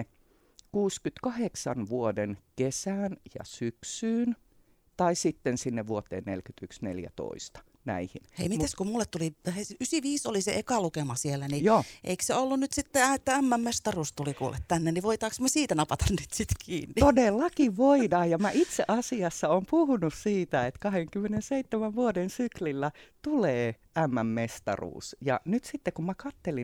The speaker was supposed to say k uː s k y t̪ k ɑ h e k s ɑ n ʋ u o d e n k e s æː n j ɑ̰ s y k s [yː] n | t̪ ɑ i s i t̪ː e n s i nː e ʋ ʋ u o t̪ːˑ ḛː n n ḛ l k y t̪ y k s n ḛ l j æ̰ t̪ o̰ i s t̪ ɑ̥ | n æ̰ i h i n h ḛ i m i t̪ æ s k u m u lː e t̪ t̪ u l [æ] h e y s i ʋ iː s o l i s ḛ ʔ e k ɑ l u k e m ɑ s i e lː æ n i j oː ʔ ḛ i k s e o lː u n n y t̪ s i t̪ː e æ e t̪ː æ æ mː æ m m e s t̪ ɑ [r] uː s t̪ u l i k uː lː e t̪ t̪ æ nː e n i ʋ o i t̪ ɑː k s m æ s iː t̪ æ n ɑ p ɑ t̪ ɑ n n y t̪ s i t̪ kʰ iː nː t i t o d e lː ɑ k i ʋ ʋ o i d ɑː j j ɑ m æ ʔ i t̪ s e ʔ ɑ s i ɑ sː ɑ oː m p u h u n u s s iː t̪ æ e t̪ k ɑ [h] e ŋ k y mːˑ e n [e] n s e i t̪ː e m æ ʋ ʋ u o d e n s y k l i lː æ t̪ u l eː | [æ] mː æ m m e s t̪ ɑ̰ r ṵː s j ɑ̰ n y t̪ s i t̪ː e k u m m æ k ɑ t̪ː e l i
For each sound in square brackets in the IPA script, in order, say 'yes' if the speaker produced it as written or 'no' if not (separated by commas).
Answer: yes, no, yes, yes, yes, yes